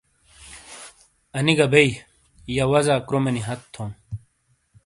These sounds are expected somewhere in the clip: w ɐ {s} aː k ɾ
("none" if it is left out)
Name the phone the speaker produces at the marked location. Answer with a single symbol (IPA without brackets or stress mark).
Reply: z